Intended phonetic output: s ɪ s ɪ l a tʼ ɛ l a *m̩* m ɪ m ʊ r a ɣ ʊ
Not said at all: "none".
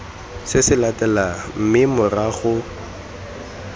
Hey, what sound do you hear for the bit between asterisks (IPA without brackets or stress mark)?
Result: m̩